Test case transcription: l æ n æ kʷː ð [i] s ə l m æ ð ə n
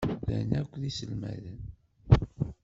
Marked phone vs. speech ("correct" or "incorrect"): correct